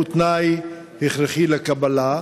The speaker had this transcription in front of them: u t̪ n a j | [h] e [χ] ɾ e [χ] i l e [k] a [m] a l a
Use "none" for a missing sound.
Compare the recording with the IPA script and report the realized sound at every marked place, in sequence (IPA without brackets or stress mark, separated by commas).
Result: h, χ, χ, k, b